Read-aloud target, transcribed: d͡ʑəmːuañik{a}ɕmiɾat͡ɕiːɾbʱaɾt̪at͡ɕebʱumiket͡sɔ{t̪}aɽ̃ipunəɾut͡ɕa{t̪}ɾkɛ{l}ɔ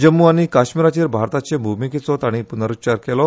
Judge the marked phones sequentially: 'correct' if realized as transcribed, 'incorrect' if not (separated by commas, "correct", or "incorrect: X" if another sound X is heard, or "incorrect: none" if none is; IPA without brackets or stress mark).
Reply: correct, correct, incorrect: none, correct